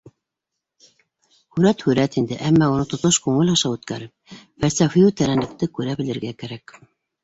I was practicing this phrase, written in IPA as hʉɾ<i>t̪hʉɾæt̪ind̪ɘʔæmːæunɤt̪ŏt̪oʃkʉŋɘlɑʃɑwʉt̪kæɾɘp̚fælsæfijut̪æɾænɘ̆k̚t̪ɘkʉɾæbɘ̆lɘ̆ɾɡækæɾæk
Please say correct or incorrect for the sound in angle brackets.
incorrect: æ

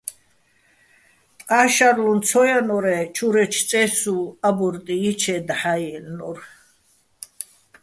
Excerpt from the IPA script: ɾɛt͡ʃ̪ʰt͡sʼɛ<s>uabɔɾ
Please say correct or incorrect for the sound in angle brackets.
correct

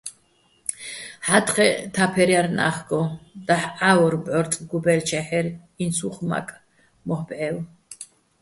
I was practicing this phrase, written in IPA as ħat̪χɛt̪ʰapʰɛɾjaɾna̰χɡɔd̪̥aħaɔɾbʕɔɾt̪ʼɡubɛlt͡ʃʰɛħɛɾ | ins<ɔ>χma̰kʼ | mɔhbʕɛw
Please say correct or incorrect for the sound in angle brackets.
incorrect: u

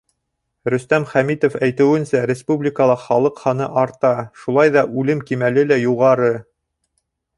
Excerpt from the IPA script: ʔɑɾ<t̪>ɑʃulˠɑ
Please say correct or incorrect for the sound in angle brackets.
correct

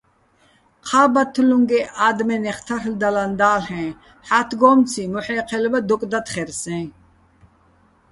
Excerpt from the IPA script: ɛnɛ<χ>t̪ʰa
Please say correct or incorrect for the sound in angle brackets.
correct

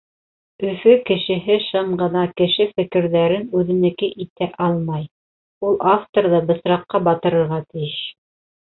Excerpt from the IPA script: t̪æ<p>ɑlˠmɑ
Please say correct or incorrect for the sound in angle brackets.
incorrect: ʔ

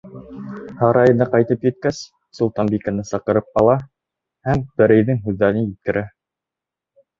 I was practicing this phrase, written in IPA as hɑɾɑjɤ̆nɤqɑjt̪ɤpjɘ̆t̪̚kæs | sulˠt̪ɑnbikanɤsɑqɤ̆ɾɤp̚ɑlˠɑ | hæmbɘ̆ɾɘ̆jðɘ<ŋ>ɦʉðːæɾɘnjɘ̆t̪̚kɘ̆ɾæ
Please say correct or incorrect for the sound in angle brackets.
correct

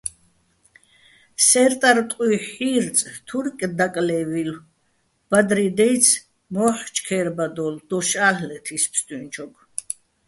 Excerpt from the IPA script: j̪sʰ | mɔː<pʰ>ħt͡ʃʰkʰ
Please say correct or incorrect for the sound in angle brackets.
incorrect: none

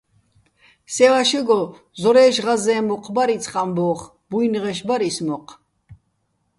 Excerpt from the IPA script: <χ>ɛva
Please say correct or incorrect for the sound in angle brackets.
incorrect: s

